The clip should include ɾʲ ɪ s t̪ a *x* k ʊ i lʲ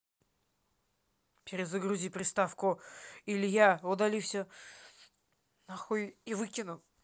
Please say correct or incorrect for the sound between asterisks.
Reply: incorrect: f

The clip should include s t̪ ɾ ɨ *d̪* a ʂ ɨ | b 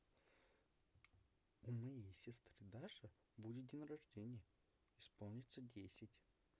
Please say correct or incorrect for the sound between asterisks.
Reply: correct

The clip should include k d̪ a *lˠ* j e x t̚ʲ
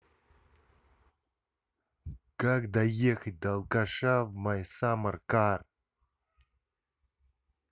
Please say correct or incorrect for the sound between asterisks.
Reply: incorrect: none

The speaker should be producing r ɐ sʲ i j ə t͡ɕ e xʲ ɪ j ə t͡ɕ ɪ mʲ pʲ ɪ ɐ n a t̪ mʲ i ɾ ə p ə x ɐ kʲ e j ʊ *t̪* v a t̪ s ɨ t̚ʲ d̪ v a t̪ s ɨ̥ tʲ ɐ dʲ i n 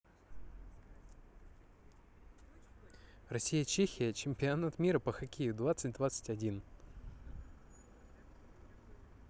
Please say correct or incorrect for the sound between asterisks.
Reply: incorrect: d̪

